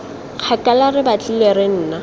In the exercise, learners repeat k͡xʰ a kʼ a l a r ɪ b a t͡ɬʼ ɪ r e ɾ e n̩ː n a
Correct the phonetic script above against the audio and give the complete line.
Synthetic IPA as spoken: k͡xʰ a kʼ a l a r ɪ b a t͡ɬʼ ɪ l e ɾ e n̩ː n a